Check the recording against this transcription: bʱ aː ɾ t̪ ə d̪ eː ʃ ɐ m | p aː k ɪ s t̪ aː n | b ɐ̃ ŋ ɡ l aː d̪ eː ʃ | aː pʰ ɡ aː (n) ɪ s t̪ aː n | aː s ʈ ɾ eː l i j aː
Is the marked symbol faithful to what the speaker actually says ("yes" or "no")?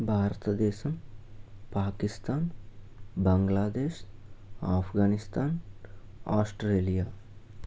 yes